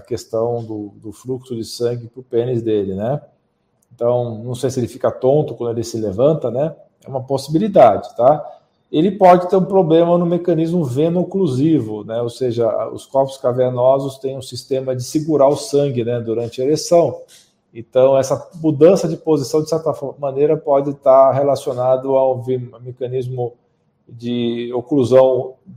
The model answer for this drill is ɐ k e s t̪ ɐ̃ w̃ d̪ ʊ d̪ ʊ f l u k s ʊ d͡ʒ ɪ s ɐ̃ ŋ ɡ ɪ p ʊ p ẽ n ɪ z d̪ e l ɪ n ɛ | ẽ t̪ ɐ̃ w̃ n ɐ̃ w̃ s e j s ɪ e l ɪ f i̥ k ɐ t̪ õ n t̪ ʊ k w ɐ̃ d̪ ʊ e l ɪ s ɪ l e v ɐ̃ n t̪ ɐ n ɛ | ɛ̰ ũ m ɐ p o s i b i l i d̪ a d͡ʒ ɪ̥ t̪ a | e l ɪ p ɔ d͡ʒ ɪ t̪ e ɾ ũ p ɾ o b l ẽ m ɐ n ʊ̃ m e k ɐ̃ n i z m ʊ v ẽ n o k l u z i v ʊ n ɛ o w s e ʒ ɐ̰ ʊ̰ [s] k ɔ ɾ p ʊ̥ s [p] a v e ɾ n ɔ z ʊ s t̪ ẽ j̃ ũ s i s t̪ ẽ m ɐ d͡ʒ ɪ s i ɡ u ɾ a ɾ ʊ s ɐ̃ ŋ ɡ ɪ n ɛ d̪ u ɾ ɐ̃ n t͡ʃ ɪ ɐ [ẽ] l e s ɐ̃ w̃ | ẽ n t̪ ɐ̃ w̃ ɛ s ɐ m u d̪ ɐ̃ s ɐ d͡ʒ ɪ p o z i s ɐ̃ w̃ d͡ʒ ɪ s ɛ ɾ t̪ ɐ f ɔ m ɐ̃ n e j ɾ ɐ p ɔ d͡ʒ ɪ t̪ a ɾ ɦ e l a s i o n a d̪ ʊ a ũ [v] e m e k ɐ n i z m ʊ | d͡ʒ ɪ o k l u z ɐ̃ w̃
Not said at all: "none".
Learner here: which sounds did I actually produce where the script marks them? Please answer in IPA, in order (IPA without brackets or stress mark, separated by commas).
s, k, e, v